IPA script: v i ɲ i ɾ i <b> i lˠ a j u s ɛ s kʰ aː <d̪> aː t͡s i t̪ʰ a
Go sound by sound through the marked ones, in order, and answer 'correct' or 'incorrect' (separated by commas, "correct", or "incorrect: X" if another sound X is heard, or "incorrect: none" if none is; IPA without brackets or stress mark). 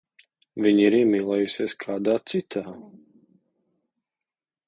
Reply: incorrect: m, correct